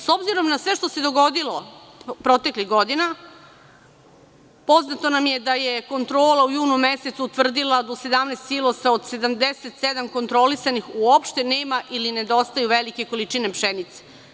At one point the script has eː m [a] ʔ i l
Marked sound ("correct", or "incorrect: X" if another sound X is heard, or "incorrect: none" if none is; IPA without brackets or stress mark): correct